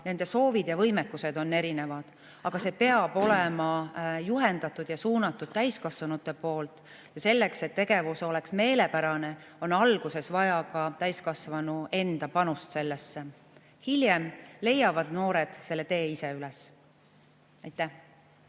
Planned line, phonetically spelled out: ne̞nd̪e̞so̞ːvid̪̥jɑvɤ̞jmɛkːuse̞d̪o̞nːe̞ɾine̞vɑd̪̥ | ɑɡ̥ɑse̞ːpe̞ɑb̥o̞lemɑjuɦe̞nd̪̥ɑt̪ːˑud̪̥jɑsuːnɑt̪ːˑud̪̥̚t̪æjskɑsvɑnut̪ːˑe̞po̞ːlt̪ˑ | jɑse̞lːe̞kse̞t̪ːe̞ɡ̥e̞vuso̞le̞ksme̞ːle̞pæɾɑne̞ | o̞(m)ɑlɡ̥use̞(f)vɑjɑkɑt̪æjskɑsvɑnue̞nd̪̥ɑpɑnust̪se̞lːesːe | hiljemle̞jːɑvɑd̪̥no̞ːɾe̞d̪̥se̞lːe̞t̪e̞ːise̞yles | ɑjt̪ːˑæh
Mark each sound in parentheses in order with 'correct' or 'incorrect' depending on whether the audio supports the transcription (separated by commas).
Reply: incorrect, incorrect